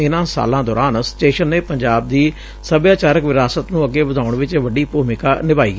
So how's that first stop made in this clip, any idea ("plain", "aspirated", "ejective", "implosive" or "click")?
plain